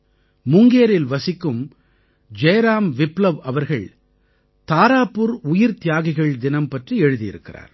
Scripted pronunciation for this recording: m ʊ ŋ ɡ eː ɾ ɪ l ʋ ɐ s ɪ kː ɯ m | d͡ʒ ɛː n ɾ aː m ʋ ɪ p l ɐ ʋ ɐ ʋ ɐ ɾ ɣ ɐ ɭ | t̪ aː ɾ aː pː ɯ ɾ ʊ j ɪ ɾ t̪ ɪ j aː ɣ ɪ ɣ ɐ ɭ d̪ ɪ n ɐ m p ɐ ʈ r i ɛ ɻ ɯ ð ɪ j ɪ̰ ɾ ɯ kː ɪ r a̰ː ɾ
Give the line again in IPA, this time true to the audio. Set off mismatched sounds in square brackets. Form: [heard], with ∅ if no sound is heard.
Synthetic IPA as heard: m ʊ ŋ ɡ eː ɾ ɪ l ʋ ɐ s ɪ kː ɯ m | d͡ʒ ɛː [∅] ɾ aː m ʋ ɪ p l ɐ ʋ ɐ ʋ ɐ ɾ ɣ ɐ ɭ | t̪ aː ɾ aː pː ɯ ɾ ʊ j ɪ ɾ t̪ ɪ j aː ɣ ɪ ɣ ɐ ɭ d̪ ɪ n ɐ m p ɐ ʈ r i ɛ ɻ ɯ ð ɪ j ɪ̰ ɾ ɯ kː ɪ r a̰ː ɾ